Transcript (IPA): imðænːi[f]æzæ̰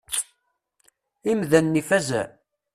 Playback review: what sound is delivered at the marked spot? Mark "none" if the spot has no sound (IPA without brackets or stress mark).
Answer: f